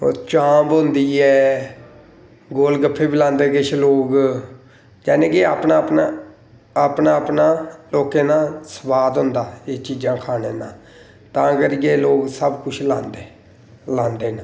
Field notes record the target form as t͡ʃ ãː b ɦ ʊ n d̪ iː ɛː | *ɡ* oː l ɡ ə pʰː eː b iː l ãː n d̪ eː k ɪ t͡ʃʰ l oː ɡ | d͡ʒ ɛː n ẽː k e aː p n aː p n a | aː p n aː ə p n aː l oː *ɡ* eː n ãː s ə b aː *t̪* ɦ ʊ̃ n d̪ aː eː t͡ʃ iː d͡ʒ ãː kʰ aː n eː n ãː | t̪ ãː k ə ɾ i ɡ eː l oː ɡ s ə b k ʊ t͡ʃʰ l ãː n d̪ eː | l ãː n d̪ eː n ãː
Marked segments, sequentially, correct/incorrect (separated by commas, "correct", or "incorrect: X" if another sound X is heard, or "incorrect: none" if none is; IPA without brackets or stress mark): correct, incorrect: k, incorrect: d̪